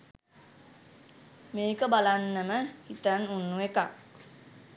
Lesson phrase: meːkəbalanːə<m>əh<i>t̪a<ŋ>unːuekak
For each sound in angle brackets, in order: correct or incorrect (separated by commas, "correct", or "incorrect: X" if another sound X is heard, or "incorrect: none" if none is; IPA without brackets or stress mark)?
correct, correct, incorrect: n